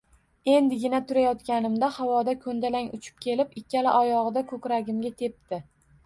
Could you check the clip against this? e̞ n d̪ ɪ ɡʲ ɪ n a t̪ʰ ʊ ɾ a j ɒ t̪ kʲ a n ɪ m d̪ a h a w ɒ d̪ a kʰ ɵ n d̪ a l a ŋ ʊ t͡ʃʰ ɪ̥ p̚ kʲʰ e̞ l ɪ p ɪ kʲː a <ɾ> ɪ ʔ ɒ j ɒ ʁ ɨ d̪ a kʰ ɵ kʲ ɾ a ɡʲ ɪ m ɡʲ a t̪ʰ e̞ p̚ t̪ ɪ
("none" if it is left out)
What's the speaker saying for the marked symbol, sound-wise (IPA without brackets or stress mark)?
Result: l